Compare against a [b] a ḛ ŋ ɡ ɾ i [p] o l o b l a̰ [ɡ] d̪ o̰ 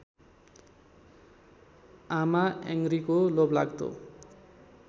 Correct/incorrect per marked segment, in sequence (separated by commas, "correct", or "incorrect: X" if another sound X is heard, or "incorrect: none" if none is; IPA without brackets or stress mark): incorrect: m, incorrect: k, correct